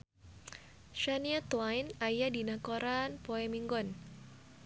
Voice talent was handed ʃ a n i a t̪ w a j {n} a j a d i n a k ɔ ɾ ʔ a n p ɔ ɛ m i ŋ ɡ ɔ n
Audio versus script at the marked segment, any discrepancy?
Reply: no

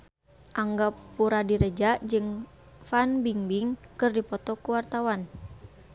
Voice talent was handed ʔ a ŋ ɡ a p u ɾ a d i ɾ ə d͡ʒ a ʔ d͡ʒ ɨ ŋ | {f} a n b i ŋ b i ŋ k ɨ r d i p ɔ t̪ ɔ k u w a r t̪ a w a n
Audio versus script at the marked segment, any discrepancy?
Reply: no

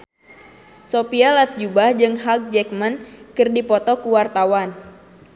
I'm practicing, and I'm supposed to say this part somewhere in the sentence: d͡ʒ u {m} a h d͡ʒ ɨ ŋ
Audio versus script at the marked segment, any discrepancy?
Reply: yes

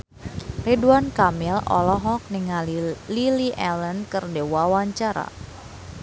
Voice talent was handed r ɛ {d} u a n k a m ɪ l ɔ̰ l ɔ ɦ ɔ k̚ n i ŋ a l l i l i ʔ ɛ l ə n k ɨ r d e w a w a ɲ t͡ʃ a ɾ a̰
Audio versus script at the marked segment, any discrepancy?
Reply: no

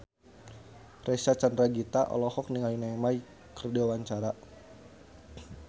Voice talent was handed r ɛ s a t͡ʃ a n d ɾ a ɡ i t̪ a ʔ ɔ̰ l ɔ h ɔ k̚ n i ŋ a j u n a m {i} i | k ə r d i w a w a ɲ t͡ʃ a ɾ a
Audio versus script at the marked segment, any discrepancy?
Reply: yes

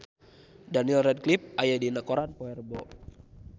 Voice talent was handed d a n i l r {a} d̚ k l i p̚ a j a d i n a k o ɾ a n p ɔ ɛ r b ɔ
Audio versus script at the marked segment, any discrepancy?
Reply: yes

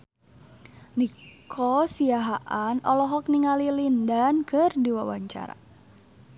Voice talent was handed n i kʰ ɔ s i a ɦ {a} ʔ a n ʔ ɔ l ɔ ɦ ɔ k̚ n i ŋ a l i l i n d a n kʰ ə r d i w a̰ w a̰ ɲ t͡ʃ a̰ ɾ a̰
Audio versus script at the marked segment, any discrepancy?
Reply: no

